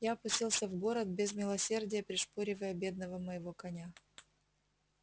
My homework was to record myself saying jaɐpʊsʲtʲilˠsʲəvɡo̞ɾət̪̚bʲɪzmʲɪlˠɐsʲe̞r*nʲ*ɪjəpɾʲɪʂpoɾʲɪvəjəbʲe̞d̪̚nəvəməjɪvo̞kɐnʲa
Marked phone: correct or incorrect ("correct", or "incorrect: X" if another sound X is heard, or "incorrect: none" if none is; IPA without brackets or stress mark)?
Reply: incorrect: dʲ